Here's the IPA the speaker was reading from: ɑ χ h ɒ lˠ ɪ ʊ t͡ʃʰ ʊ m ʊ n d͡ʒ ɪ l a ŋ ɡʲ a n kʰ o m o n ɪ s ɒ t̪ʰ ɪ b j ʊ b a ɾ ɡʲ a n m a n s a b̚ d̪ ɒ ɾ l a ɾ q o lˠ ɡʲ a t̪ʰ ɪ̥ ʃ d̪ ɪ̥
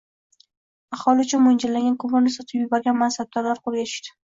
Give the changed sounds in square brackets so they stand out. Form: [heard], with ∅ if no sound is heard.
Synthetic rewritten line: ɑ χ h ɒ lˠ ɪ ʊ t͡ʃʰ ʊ m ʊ n d͡ʒ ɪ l a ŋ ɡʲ a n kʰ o m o n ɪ s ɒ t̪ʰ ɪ b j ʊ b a ɾ ɡʲ a n m a n s a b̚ d̪ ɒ ɾ l a ɾ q o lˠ ɡʲ a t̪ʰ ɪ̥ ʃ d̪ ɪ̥